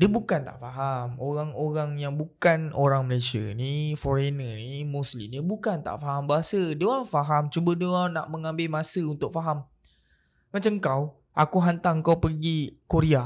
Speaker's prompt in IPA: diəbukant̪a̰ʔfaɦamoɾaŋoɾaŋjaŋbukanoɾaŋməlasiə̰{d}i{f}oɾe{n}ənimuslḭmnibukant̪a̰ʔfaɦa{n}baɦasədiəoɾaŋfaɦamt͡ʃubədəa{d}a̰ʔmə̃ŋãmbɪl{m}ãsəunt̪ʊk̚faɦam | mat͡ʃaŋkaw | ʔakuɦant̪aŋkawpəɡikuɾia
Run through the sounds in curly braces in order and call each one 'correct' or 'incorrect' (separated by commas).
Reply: incorrect, correct, correct, incorrect, incorrect, correct